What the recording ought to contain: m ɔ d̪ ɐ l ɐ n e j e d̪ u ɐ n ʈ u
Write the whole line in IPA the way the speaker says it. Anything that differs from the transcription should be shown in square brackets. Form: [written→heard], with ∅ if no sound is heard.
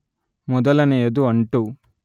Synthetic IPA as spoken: m ɔ d̪ ɐ l ɐ n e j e d̪ u ɐ [n→ɳ] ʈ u

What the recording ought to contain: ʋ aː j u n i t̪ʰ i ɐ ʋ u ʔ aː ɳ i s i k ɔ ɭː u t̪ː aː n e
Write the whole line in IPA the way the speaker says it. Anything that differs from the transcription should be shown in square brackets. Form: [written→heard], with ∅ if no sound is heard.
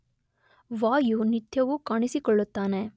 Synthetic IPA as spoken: ʋ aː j u n i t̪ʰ [i→j] ɐ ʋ u [ʔ→k] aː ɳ i s i k ɔ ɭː u t̪ː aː n e

